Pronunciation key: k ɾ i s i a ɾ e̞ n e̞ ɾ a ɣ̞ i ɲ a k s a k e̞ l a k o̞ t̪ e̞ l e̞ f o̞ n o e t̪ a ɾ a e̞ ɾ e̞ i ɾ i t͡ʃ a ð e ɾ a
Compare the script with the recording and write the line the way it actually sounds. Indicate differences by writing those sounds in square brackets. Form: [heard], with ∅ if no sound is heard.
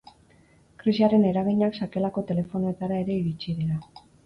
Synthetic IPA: k ɾ i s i a ɾ e̞ n e̞ ɾ a ɣ̞ i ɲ a k s a k e̞ l a k o̞ t̪ e̞ l e̞ f o̞ n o e t̪ a ɾ a e̞ ɾ e̞ i ɾ i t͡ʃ [i] ð e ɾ a

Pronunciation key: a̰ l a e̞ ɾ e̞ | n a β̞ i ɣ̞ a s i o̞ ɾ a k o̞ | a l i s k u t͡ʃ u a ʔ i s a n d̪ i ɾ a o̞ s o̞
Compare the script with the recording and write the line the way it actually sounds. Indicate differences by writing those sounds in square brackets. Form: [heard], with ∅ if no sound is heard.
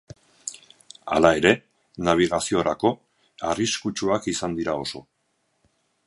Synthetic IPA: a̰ l a e̞ ɾ e̞ | n a β̞ i ɣ̞ a s i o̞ ɾ a k o̞ | a [r] i s k u t͡ʃ u a [k] i s a n d̪ i ɾ a o̞ s o̞

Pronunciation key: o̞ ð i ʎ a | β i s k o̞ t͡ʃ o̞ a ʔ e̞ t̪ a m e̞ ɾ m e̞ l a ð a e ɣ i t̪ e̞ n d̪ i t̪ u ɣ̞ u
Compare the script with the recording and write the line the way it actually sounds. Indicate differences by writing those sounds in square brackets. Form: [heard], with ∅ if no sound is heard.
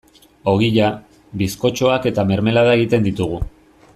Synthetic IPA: o̞ [ɣ] i ʎ a | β i s k o̞ t͡ʃ o̞ a [k] e̞ t̪ a m e̞ ɾ m e̞ l a ð a e ɣ i t̪ e̞ n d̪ i t̪ u ɣ̞ u

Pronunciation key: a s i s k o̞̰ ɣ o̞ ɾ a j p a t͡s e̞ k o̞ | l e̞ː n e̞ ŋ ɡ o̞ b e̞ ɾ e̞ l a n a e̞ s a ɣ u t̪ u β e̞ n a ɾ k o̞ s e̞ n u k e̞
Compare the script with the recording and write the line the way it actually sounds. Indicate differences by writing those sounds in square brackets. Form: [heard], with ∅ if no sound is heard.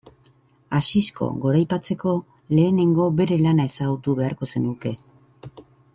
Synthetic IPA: a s i s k o̞̰ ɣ o̞ ɾ a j p a t͡s e̞ k o̞ | l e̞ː n e̞ ŋ ɡ o̞ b e̞ ɾ e̞ l a n a e̞ s a ɣ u t̪ u β e̞ [∅] a ɾ k o̞ s e̞ n u k e̞

